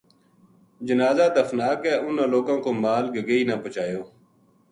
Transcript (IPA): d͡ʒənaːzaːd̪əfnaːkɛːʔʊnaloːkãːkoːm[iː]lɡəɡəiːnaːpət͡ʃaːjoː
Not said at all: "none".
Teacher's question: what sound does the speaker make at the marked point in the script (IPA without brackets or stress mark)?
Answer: aː